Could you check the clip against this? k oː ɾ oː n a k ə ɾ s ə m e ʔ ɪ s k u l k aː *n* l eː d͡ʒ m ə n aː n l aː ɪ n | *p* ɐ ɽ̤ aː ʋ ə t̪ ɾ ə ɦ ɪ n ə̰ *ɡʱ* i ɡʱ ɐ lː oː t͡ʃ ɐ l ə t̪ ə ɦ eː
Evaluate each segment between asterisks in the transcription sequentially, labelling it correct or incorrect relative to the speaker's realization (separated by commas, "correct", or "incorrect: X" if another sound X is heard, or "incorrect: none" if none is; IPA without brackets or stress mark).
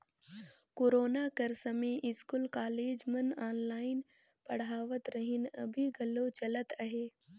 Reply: incorrect: none, correct, incorrect: bʱ